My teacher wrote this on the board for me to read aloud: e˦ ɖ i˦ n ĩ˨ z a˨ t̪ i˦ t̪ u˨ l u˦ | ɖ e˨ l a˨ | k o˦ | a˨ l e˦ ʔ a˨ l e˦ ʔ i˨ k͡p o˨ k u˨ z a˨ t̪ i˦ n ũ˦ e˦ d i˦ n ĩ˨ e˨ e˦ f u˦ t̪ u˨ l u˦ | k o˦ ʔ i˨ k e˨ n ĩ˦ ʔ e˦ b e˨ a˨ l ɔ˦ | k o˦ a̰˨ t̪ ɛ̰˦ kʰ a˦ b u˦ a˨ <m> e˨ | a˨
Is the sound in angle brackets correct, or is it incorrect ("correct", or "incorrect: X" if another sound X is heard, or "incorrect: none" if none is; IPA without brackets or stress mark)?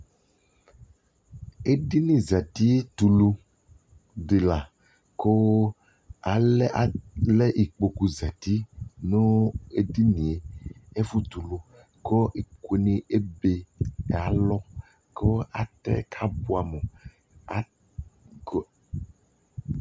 correct